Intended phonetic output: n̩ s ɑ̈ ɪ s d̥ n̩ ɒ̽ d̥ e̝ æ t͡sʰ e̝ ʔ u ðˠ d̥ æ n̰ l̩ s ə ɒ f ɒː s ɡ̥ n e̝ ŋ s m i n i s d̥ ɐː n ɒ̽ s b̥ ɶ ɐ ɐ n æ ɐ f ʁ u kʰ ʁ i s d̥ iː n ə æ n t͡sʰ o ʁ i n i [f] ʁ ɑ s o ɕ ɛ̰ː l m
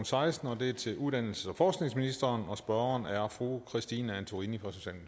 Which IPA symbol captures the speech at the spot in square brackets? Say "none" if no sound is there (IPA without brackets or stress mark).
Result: f